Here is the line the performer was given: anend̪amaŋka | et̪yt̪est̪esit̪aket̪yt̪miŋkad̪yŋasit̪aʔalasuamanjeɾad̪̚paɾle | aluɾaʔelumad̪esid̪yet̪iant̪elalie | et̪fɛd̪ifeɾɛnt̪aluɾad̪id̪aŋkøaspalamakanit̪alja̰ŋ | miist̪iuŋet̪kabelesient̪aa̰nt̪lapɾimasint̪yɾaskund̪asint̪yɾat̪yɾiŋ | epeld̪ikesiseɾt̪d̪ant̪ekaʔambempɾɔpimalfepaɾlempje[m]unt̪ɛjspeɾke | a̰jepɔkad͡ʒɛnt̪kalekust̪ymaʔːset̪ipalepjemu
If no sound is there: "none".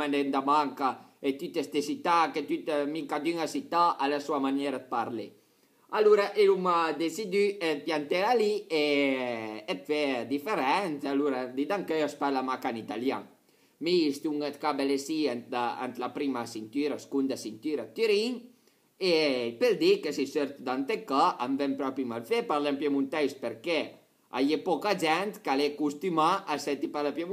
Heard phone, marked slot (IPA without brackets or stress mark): m